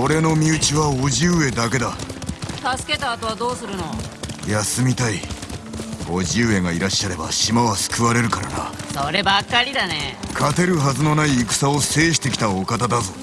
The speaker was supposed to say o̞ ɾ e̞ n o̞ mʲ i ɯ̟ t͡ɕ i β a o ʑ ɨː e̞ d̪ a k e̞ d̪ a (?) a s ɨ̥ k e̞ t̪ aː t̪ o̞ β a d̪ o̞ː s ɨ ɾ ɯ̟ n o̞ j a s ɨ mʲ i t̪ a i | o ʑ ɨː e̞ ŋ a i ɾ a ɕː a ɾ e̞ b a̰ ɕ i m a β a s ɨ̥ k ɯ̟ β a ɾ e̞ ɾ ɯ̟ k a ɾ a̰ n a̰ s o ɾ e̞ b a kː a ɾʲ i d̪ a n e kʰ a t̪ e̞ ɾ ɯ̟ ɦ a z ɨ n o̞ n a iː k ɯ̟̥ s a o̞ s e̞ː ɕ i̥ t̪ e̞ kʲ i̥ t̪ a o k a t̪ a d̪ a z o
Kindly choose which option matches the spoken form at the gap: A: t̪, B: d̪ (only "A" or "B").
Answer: A